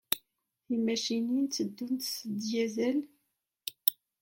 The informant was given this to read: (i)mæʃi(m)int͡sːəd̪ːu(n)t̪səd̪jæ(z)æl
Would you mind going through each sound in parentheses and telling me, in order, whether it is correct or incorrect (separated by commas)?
correct, incorrect, correct, correct